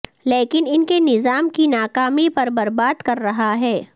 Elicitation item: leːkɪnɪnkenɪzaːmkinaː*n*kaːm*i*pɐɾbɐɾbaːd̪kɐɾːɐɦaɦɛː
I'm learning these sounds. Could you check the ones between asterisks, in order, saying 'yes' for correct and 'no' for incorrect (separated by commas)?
no, yes